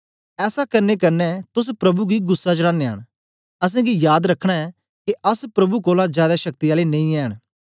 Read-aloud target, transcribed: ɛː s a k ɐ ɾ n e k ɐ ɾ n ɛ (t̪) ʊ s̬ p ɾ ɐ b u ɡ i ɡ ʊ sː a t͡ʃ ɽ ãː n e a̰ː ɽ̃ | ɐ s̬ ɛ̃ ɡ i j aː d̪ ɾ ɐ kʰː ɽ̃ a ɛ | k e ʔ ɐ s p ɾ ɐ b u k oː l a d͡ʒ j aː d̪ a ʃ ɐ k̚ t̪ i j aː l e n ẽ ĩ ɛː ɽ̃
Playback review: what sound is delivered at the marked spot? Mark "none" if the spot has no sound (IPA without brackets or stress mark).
t̪